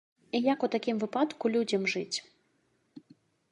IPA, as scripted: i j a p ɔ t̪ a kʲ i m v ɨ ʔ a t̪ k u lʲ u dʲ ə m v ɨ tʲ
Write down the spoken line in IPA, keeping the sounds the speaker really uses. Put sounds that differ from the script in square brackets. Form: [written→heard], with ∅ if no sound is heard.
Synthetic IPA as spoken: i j a [p→k] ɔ t̪ a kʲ i m v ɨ [ʔ→p] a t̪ k u lʲ u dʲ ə m [v→ʐ] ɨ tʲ